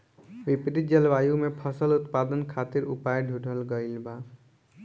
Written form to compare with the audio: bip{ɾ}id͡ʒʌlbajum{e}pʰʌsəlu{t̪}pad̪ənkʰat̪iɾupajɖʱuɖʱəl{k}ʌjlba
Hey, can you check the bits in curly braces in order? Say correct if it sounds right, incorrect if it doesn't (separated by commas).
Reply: correct, correct, correct, incorrect